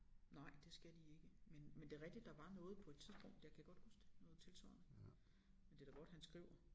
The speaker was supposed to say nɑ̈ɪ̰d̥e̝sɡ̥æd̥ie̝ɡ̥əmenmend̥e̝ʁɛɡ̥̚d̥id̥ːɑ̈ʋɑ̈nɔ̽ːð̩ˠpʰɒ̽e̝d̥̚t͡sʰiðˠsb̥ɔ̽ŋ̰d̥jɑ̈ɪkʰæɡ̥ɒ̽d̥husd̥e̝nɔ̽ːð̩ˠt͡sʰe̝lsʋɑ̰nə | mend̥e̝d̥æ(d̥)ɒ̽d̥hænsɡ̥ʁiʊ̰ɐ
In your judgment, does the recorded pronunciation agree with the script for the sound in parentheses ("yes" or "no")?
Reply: no